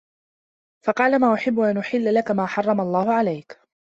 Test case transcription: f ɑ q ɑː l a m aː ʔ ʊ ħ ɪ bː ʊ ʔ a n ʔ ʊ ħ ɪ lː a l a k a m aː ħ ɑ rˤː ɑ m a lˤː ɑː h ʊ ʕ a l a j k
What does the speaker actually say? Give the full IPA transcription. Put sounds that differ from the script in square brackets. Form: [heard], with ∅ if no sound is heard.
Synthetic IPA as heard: f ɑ q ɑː l a m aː ʔ ʊ ħ ɪ bː ʊ ʔ a n ʔ ʊ ħ ɪ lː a l a k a m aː ħ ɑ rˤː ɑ m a lˤː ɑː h ʊ ʕ a l a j k